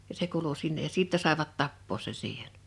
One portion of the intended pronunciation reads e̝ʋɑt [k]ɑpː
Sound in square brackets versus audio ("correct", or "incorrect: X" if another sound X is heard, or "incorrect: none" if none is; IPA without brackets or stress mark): incorrect: t